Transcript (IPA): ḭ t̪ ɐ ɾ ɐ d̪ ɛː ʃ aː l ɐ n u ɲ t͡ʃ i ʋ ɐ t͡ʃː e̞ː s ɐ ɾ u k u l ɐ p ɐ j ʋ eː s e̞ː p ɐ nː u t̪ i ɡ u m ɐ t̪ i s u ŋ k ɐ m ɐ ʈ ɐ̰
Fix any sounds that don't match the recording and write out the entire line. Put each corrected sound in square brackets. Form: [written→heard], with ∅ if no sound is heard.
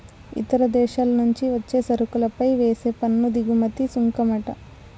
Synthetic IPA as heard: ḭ t̪ ɐ ɾ ɐ d̪ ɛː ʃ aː l ɐ n u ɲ t͡ʃ i ʋ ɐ t͡ʃː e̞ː s ɐ ɾ u k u l ɐ p ɐ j ʋ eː s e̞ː p ɐ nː u [t̪→d̪] i ɡ u m ɐ t̪ i s u ŋ k ɐ m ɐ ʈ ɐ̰